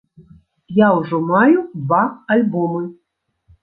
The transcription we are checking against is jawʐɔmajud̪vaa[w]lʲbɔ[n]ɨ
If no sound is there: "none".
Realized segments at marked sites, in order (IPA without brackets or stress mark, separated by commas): none, m